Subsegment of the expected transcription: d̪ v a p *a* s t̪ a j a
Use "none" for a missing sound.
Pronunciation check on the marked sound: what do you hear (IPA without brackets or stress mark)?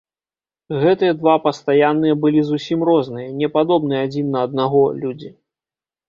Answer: ɐ